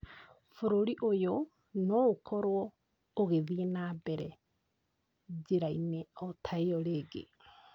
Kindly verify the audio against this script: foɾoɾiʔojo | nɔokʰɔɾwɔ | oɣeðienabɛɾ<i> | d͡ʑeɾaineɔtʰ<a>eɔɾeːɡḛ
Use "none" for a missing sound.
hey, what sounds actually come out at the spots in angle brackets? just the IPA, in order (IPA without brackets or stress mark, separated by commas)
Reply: ɛ, a